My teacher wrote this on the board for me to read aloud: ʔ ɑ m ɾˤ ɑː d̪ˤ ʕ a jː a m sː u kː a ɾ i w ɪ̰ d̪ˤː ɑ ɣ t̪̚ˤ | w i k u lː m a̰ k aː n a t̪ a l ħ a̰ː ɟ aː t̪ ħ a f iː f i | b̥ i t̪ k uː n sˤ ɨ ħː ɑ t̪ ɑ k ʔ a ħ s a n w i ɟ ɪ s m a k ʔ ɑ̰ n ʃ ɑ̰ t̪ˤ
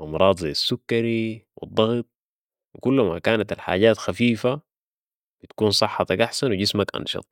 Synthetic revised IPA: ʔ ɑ m ɾˤ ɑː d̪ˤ z a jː a sː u kː a ɾ i w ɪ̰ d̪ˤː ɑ ɣ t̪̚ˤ | w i k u lː m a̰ k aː n a t̪ a l ħ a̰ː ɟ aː t̪ x a f iː f a | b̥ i t̪ k uː n sˤ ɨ ħː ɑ t̪ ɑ k ʔ a ħ s a n w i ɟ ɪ s m a k ʔ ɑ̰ n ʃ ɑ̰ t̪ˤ